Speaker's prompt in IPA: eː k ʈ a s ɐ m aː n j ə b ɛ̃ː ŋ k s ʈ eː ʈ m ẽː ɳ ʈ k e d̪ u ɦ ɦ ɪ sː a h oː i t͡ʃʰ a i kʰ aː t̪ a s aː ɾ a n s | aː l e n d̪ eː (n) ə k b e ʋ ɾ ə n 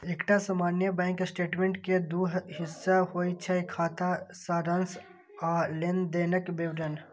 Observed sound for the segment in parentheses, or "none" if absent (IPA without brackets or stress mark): n